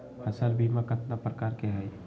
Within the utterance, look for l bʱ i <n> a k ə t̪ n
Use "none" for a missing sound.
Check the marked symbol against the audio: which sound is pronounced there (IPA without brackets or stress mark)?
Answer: m